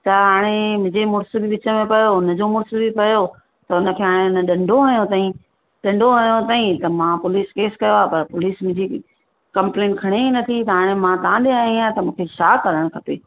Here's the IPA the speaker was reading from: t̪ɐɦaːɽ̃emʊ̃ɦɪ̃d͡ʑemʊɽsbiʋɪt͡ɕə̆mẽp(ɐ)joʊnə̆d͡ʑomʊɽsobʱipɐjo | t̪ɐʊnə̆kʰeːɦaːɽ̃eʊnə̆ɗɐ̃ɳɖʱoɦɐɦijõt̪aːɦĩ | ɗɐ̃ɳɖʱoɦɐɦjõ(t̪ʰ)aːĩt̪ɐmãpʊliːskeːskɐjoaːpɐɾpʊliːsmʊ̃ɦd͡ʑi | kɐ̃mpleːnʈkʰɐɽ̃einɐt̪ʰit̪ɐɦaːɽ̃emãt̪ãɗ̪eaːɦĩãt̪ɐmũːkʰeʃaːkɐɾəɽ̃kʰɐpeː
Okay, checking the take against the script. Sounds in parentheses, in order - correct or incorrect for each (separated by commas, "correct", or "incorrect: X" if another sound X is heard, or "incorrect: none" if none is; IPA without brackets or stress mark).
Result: correct, incorrect: t̪